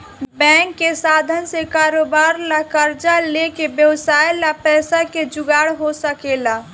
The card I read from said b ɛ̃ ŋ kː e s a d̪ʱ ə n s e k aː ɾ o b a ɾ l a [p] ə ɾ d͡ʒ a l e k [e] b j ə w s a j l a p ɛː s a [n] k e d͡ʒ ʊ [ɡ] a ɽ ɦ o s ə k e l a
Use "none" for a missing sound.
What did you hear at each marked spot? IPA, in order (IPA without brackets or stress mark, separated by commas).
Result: k, e, none, ɡ